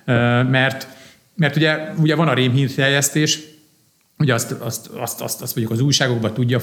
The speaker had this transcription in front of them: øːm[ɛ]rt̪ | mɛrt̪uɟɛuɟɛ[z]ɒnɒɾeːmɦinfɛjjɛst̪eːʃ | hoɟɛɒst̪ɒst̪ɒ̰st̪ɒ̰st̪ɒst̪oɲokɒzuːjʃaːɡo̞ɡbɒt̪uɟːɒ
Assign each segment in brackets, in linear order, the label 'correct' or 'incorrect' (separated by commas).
correct, incorrect